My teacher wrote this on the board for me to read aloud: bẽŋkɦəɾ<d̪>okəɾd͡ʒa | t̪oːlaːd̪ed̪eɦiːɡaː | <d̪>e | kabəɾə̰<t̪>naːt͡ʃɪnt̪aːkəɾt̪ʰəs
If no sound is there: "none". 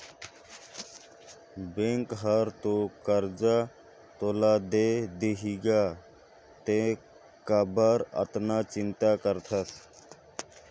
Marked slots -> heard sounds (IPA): t̪, t̪, t̪

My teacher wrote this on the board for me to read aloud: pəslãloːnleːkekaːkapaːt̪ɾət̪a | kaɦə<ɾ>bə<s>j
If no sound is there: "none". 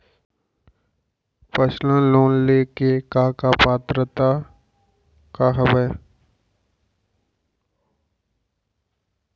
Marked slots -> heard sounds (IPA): none, none

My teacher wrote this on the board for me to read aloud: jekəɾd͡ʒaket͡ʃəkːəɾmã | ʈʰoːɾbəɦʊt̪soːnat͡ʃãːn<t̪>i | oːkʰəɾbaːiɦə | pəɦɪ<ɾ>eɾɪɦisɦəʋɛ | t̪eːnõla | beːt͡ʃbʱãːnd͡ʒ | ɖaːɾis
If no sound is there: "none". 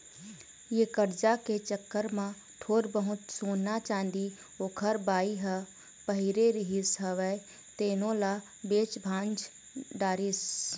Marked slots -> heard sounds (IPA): d̪, ɾ

